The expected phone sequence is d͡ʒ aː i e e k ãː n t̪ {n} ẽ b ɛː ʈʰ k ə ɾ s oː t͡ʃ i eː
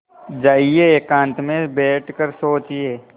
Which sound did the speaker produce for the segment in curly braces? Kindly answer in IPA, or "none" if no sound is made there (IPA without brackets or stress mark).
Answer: m